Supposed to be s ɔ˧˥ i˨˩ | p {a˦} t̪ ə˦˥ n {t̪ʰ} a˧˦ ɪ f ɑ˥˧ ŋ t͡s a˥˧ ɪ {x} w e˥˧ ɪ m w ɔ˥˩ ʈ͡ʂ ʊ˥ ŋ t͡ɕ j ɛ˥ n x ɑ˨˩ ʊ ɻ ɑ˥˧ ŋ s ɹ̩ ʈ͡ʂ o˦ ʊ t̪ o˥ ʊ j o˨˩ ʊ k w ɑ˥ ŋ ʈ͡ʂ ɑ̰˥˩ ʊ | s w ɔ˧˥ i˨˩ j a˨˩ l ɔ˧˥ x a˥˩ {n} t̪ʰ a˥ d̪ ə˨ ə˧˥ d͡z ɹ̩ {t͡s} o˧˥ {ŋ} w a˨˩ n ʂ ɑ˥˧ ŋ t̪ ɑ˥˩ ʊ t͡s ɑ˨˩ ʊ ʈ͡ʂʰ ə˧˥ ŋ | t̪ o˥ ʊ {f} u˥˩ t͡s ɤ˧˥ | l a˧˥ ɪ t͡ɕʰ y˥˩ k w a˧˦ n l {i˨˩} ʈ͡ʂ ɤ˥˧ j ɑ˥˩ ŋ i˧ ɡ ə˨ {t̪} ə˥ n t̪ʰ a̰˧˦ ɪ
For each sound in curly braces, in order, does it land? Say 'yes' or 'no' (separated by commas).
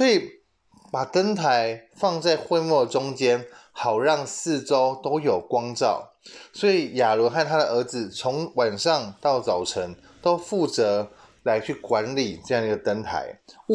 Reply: no, yes, yes, yes, no, yes, yes, yes, yes